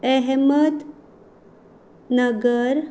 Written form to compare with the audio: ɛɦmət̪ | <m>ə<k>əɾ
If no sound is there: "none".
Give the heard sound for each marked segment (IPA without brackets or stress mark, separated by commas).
n, ɡ